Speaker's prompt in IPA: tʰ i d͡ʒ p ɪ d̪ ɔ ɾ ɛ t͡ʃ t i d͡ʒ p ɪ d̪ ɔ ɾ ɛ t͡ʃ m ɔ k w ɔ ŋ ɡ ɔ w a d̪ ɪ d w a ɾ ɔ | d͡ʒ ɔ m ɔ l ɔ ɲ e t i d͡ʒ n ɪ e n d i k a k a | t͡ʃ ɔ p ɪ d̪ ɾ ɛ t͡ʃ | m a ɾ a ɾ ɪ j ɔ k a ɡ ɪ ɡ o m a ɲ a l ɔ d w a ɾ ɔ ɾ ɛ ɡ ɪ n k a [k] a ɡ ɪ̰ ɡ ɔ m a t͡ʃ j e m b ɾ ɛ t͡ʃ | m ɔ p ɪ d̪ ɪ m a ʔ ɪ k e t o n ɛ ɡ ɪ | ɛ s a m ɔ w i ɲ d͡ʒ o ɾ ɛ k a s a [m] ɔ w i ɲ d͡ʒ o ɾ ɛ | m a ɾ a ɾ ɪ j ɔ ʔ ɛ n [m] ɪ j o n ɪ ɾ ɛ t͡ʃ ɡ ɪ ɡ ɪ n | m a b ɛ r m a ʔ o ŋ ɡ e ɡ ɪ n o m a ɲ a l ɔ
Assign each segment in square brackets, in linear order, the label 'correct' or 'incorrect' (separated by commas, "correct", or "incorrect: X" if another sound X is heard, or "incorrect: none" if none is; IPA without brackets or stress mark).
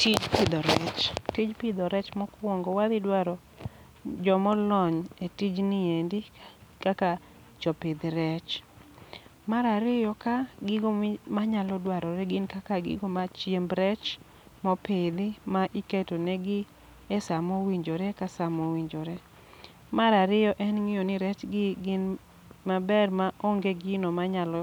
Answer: correct, correct, incorrect: ŋ